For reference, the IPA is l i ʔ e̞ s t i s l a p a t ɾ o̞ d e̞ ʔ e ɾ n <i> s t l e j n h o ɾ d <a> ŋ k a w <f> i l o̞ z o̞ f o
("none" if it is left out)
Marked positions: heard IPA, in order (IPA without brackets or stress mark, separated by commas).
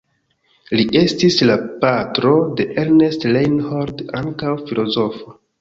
e, a, f